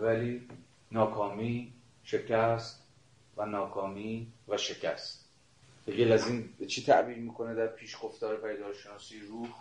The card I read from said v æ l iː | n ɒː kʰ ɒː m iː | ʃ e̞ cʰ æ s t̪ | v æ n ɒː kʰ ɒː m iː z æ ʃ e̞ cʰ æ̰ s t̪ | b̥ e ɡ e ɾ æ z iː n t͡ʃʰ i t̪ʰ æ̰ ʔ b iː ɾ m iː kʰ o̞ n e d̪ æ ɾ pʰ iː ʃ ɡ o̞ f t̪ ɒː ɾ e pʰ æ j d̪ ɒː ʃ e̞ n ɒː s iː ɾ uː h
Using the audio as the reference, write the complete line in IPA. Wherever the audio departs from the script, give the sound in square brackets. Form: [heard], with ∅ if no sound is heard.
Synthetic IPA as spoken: v æ l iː | n ɒː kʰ ɒː m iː | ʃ e̞ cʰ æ s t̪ | v æ n ɒː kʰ ɒː m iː [v] æ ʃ e̞ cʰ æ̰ s t̪ | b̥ e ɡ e [l] æ z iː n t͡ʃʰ i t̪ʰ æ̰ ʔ b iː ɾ m iː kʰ o̞ n e d̪ æ ɾ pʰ iː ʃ ɡ o̞ f t̪ ɒː ɾ e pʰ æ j d̪ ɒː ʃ e̞ n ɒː s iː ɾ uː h